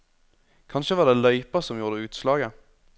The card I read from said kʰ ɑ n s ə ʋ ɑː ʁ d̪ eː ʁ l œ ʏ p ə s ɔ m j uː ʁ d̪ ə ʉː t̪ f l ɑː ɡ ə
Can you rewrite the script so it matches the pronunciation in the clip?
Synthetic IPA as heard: kʰ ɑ n ʃ ə ʋ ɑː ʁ d̪ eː l œ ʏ p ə s ɔ m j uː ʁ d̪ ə ʉː t̪ s l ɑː ɡ ə